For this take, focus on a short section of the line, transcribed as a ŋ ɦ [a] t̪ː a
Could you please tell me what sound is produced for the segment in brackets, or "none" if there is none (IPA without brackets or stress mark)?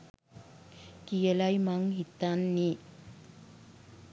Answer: i